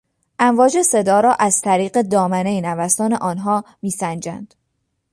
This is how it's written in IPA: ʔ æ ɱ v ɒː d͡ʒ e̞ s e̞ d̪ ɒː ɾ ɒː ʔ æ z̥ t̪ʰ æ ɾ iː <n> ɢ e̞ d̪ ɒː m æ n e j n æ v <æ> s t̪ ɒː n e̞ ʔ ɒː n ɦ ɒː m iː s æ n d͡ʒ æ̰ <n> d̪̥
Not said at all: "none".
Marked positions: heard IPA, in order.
none, æ, n

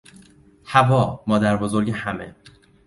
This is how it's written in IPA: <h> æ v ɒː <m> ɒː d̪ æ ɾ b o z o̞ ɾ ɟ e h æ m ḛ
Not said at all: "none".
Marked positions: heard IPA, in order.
h, m

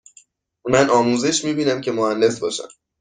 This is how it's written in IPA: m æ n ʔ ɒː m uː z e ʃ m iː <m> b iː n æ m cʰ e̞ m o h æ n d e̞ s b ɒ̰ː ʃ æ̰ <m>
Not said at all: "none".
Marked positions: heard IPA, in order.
none, m

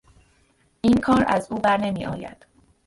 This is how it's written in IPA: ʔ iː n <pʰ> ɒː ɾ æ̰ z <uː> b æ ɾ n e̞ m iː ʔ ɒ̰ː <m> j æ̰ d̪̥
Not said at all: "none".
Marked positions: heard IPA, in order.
kʰ, uː, none

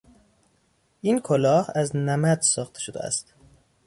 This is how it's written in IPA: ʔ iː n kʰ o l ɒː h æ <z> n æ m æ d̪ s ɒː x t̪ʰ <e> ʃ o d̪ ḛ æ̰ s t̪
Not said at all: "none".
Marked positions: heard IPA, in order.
z, e

